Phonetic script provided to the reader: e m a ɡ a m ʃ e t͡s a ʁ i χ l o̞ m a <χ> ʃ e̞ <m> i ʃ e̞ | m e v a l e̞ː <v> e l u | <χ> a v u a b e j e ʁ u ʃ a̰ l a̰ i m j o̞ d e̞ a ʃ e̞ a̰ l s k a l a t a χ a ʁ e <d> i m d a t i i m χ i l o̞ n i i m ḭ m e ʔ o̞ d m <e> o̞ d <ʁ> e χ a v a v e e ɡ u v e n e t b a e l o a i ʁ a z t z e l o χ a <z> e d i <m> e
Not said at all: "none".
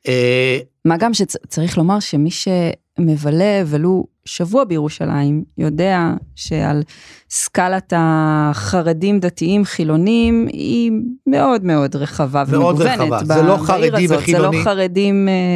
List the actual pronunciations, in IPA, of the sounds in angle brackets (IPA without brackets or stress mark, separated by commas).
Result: ʁ, m, v, ʃ, d, e, ʁ, ʁ, m